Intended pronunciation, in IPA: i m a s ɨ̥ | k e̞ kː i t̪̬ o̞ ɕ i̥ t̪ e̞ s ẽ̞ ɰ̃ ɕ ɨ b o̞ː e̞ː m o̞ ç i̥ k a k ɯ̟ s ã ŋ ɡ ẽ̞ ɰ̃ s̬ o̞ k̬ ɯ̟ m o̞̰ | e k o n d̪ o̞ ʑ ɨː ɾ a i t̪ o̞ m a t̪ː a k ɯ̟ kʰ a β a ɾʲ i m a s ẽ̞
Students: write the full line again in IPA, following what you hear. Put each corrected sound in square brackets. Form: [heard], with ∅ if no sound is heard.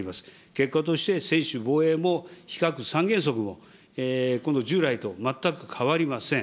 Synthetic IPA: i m a s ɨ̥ | k e̞ kː [a] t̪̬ o̞ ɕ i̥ t̪ e̞ s ẽ̞ ɰ̃ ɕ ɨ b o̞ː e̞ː m o̞ ç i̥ k a k ɯ̟ s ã ŋ ɡ ẽ̞ ɰ̃ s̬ o̞ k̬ ɯ̟ m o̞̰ | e k o n d̪ o̞ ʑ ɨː ɾ a i t̪ o̞ m a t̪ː a k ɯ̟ kʰ a β a ɾʲ i m a s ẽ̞